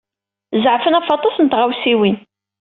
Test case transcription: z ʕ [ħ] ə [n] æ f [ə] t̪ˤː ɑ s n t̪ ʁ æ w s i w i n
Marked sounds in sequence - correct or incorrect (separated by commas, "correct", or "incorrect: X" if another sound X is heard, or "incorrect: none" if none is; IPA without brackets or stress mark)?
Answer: incorrect: f, correct, incorrect: ɑ